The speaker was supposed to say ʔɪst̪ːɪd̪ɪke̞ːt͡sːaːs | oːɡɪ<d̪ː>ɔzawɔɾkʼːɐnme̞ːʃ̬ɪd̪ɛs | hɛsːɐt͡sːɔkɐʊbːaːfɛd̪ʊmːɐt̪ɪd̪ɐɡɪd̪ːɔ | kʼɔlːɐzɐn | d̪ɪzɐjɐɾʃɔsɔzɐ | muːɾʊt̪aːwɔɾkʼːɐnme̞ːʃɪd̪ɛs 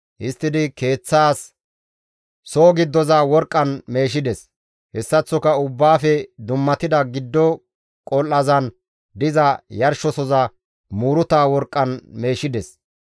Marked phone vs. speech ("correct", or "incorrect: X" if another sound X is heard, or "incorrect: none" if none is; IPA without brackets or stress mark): correct